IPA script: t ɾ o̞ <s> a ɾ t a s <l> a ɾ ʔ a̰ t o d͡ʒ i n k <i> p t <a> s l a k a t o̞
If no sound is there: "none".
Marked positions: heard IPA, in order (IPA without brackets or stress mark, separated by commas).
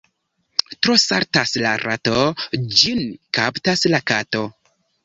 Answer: s, l, a, a